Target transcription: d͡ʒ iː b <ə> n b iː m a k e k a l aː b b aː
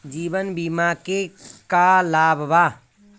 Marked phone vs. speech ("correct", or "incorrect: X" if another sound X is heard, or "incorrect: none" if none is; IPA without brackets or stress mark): correct